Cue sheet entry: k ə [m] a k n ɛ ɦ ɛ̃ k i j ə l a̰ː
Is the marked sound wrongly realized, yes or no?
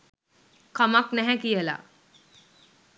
no